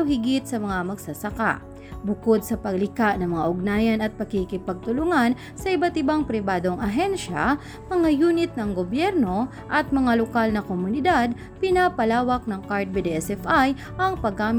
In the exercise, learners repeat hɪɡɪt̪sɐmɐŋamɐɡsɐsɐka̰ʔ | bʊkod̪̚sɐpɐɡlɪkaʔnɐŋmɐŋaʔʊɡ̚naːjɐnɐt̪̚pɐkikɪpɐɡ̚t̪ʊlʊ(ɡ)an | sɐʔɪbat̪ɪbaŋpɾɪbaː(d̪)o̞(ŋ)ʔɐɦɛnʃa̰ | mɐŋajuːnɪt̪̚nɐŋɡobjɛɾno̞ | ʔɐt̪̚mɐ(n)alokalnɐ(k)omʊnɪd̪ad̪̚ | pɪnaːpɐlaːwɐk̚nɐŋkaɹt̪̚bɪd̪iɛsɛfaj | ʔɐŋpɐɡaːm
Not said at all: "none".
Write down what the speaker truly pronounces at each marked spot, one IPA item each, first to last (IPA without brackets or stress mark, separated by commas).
ŋ, d̪, ŋ, ŋ, k